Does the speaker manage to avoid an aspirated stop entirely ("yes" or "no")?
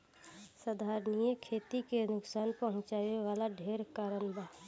no